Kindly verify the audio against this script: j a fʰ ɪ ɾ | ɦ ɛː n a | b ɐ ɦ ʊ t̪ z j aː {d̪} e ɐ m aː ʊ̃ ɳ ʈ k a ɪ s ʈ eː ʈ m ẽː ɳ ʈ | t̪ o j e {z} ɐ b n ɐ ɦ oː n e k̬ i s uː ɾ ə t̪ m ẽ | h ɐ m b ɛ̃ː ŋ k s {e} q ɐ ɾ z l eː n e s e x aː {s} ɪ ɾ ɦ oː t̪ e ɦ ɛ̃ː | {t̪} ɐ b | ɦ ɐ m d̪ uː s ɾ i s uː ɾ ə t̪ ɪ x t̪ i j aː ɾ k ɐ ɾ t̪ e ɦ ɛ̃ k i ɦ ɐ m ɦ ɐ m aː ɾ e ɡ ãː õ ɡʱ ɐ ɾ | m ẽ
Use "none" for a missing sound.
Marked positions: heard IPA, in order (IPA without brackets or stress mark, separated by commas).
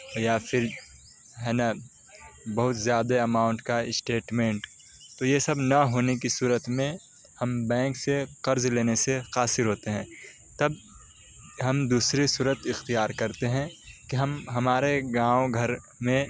d̪, s, e, s, t̪